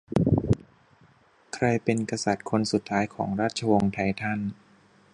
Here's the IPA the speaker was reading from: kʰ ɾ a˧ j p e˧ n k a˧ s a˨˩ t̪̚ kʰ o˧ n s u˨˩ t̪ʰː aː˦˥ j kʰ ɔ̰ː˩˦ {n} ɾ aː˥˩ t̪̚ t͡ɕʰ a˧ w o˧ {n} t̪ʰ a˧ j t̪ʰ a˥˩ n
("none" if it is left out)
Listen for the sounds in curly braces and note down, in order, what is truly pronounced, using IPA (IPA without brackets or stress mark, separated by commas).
ŋ, ŋ